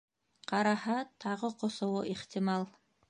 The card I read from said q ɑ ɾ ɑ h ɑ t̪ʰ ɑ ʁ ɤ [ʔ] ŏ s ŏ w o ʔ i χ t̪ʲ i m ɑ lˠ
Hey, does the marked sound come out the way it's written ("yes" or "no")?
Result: no